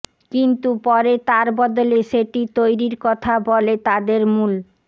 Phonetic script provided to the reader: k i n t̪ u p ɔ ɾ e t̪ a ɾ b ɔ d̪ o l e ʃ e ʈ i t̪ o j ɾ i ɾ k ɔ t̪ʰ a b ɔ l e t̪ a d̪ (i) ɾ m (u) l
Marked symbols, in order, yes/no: no, yes

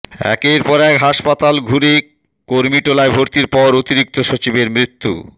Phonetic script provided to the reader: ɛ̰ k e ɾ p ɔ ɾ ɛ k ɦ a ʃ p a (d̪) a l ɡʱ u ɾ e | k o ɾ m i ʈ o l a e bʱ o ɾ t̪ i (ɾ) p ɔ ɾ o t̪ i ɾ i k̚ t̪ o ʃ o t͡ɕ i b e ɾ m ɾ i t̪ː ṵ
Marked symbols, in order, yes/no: no, yes

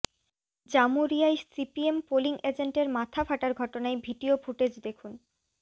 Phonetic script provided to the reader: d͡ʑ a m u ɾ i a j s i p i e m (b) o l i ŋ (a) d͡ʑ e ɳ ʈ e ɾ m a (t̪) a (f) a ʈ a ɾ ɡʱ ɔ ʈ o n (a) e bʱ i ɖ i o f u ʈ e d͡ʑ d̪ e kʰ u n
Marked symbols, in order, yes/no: no, no, no, yes, yes

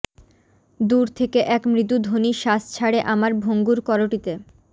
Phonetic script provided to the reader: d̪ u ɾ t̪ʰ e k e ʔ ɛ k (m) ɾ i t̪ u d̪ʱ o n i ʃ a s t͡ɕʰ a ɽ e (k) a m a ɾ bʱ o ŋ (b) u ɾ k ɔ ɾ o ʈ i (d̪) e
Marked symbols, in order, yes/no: yes, no, no, no

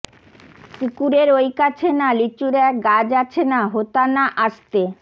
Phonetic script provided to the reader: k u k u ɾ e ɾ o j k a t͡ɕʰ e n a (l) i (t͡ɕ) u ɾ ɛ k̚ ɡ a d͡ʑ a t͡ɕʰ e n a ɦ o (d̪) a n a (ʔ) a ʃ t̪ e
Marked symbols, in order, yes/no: yes, yes, no, yes

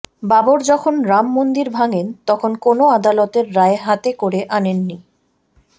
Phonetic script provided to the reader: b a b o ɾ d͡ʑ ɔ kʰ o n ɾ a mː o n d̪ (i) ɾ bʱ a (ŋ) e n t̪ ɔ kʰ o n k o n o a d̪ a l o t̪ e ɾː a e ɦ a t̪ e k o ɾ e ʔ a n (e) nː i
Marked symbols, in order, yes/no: yes, yes, yes

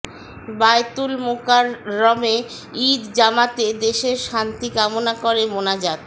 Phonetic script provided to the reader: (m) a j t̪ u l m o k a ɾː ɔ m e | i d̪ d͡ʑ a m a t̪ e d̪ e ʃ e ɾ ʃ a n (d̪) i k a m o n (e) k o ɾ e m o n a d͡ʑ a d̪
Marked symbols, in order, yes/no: no, no, no

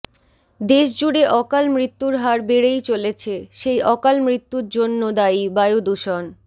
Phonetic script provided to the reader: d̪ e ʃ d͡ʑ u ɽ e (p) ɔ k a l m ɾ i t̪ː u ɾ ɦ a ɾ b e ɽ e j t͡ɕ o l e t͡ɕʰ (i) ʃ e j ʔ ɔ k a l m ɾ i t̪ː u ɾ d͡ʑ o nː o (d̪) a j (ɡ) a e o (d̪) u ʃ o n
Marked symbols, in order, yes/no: no, no, yes, no, yes

